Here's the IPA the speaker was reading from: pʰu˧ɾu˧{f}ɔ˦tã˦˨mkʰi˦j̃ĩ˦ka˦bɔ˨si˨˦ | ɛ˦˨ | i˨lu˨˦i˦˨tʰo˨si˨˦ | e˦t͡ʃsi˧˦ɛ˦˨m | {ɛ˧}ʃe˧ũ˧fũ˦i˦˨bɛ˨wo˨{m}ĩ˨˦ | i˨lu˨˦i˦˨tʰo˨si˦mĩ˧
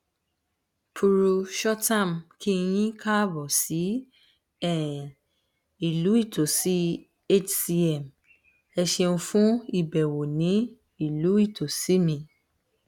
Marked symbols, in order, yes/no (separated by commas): no, yes, no